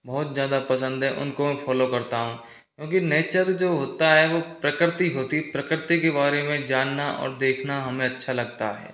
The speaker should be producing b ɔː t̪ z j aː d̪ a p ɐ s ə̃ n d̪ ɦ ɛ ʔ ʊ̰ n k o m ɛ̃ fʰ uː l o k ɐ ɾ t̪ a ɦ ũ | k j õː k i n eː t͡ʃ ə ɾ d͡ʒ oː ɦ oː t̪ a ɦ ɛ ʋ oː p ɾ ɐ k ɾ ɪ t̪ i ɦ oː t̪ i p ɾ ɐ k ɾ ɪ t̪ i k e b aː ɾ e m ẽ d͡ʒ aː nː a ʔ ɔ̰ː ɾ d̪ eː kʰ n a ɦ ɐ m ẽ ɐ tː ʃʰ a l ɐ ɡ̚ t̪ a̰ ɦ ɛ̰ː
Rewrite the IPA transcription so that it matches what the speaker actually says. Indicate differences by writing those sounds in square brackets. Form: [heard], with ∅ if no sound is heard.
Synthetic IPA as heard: b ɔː t̪ z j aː d̪ a p ɐ s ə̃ n d̪ ɦ ɛ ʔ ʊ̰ n k o m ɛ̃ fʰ [ɔː] l o k ɐ ɾ t̪ a ɦ ũ | k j õː k i n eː t͡ʃ ə ɾ d͡ʒ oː ɦ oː t̪ a ɦ ɛ ʋ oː p ɾ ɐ k ɾ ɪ t̪ i ɦ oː t̪ i p ɾ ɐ k ɾ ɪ t̪ i k e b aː ɾ e m ẽ d͡ʒ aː nː a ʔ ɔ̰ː ɾ d̪ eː kʰ n a ɦ ɐ m ẽ ɐ tː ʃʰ a l ɐ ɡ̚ t̪ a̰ ɦ ɛ̰ː